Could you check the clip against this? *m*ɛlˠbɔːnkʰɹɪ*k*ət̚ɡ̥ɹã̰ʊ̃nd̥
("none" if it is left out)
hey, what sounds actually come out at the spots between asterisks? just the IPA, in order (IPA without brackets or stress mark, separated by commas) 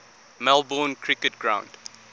m, k